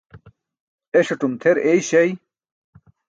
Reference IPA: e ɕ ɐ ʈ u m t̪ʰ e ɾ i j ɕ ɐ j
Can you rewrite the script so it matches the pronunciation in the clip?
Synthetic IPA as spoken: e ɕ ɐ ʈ u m t̪ʰ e ɾ e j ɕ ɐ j